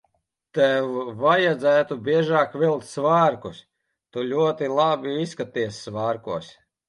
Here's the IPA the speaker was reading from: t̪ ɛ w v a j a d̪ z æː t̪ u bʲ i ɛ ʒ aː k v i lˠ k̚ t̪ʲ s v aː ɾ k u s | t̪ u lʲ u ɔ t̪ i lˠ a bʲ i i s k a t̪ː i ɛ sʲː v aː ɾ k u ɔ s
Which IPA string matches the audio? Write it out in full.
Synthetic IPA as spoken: t̪ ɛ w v a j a d̪ z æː t̪ u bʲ i ɛ ʒ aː k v i lˠ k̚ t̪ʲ s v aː ɾ k u s | t̪ u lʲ u ɔ t̪ i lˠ a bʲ i i s k a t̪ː i ɛ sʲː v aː ɾ k u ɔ s